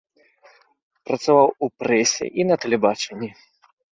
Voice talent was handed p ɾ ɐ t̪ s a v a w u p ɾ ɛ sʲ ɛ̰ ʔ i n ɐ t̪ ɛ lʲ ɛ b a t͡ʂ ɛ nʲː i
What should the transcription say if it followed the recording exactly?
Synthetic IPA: p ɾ ɐ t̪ s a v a w u p ɾ ɛ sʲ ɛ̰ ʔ i n ɐ t̪ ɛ lʲ ɛ b a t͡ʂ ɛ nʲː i